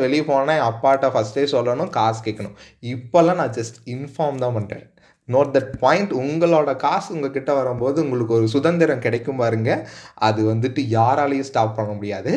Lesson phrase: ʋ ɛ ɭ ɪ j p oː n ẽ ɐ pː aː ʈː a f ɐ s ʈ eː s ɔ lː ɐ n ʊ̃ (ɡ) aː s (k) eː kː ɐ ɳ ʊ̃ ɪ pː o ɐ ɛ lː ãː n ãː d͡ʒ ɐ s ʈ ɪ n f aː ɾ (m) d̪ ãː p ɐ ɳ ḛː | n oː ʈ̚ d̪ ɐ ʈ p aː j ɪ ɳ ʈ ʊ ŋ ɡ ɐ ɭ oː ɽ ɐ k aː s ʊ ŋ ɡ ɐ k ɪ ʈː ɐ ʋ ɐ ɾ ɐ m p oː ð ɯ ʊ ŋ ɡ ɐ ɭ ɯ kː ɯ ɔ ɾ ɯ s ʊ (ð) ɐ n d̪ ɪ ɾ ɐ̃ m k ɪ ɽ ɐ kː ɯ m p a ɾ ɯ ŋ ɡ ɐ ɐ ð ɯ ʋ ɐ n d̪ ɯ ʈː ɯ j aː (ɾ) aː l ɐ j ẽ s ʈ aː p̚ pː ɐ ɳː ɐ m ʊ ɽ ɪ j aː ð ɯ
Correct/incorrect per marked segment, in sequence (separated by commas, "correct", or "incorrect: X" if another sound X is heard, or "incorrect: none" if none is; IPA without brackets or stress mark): incorrect: k, correct, correct, correct, correct